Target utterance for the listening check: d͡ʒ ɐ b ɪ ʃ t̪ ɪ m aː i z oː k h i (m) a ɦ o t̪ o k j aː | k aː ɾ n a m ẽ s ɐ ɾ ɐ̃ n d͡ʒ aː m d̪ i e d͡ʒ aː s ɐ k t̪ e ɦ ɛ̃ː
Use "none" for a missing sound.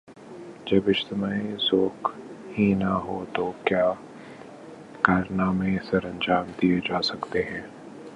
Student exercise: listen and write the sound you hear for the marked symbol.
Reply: n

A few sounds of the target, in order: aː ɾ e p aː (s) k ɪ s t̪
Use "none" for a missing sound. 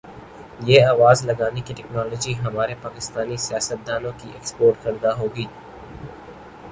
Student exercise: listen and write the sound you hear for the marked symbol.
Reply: none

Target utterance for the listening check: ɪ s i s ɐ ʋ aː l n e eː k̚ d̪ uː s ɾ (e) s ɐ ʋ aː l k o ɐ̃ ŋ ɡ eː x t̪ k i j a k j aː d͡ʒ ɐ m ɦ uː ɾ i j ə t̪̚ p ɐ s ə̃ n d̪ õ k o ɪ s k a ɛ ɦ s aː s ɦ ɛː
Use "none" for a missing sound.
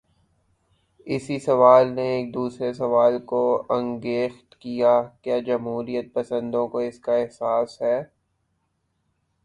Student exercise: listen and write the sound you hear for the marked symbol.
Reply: e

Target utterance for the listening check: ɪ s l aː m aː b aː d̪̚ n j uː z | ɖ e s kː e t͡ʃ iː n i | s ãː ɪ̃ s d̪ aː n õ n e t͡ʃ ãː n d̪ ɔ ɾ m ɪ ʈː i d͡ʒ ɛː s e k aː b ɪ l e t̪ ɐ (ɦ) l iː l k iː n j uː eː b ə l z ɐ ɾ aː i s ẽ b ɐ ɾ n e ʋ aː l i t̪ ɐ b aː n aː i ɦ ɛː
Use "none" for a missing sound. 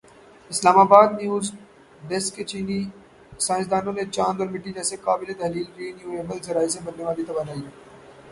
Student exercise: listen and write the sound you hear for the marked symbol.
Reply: ɦ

